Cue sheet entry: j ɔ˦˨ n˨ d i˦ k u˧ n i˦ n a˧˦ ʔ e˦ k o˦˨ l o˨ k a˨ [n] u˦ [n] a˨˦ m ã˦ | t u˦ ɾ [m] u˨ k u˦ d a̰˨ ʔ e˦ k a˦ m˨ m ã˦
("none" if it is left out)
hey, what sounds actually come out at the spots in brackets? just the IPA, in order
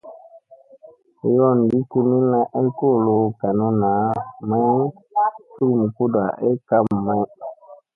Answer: n, n, m

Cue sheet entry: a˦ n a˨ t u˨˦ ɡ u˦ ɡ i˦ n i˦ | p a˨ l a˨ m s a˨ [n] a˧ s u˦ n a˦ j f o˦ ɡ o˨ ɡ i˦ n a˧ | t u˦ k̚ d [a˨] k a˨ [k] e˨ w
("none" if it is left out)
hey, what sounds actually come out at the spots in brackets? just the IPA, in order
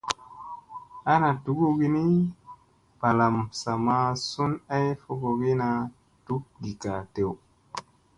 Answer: m, i˨, t

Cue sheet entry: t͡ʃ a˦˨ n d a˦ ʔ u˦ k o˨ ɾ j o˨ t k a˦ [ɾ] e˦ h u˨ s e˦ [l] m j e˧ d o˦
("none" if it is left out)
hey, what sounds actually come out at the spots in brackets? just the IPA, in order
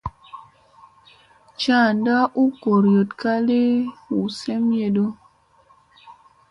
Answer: l, none

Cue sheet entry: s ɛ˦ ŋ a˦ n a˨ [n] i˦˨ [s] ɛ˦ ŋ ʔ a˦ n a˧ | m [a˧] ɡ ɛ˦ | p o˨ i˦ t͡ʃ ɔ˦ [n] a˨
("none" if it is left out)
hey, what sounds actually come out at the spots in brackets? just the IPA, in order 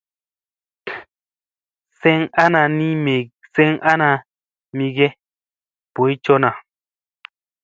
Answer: n, s, i˧, n

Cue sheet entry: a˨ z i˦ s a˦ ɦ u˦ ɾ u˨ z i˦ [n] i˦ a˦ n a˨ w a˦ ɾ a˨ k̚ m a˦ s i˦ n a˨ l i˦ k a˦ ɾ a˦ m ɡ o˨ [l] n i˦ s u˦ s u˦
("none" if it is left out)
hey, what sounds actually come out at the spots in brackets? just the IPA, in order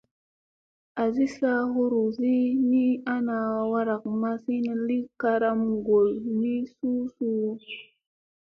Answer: n, l

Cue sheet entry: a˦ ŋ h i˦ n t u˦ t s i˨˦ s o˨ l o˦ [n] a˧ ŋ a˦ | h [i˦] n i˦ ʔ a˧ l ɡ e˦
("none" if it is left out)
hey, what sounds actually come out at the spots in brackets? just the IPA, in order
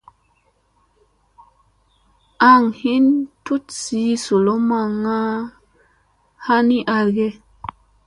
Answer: m, a˦

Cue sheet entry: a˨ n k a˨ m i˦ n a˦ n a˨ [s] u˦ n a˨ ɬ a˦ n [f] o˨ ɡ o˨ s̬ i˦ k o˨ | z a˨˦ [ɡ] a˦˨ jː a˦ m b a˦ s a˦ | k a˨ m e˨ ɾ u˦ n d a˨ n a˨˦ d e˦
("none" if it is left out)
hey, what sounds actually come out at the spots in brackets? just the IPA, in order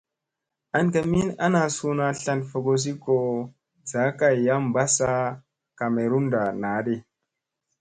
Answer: s, f, k

